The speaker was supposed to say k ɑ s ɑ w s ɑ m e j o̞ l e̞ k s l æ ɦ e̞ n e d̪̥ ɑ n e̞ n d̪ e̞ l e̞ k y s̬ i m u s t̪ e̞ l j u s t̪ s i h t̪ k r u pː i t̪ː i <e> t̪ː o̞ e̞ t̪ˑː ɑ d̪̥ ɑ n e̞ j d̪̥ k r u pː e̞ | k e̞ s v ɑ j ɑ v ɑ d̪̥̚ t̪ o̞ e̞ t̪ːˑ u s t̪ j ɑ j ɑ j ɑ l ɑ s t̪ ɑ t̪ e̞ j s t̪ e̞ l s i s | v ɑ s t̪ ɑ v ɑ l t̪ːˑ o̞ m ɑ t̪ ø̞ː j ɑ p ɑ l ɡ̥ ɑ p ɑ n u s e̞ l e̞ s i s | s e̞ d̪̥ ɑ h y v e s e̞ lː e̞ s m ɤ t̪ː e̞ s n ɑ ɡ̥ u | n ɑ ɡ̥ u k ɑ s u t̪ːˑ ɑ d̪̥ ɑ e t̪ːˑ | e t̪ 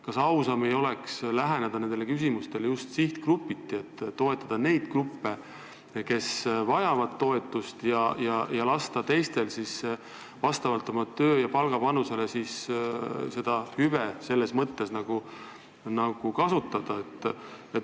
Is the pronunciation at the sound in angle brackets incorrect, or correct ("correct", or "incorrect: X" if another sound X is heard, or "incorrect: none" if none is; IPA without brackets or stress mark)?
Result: correct